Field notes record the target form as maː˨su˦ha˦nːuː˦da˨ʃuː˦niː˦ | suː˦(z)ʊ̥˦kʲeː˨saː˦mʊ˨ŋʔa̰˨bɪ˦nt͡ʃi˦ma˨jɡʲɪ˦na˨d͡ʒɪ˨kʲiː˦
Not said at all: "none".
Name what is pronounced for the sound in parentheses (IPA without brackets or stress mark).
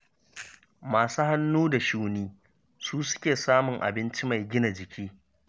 s